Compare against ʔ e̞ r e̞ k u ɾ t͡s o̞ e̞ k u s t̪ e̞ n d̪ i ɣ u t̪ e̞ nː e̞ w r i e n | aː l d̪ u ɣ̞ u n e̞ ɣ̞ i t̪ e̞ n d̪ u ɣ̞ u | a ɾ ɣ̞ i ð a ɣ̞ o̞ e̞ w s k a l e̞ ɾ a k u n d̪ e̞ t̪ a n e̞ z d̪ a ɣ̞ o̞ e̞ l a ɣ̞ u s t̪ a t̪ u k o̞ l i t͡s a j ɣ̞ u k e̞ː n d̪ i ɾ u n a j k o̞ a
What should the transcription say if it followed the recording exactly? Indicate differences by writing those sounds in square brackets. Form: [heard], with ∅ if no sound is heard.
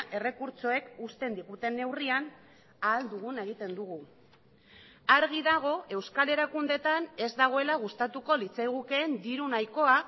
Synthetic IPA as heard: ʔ e̞ r e̞ k u ɾ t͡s o̞ e̞ k u s t̪ e̞ n d̪ i ɣ u t̪ e̞ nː e̞ w r i [a] n | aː l d̪ u ɣ̞ u n e̞ ɣ̞ i t̪ e̞ n d̪ u ɣ̞ u | a ɾ ɣ̞ i ð a ɣ̞ o̞ e̞ w s k a l e̞ ɾ a k u n d̪ e̞ t̪ a n e̞ z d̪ a ɣ̞ o̞ e̞ l a ɣ̞ u s t̪ a t̪ u k o̞ l i t͡s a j ɣ̞ u k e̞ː n d̪ i ɾ u n a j k o̞ a